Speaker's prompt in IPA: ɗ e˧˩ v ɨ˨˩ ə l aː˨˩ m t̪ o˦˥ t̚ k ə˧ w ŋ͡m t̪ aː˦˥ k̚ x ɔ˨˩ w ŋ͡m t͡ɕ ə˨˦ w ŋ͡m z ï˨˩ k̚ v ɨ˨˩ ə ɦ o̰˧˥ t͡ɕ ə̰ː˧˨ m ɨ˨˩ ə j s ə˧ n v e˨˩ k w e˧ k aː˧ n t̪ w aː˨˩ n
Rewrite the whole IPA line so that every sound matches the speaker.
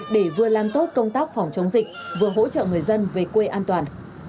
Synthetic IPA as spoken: ɗ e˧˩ v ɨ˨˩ ə l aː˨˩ m t̪ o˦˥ t̚ k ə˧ w ŋ͡m t̪ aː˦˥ k̚ f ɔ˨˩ w ŋ͡m t͡ɕ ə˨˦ w ŋ͡m z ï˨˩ k̚ v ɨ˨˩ ə ɦ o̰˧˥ t͡ɕ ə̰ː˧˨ ŋ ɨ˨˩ ə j z ə˧ n v e˨˩ k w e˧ ʔ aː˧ n t̪ w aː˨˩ n